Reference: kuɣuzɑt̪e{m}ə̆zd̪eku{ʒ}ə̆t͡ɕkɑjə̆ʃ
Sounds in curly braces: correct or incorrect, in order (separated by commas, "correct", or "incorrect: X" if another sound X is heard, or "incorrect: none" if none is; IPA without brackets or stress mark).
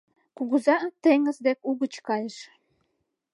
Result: incorrect: ŋ, incorrect: ɣ